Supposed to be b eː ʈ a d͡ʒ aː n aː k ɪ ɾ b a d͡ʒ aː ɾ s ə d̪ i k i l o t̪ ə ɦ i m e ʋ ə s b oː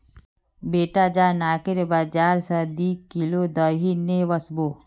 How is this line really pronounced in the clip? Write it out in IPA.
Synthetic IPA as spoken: b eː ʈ a d͡ʒ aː n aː k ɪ ɾ b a d͡ʒ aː ɾ s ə d̪ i k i l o d̪ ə ɦ i n e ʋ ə s b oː